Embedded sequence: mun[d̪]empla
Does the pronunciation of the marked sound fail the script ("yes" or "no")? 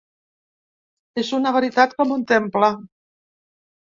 yes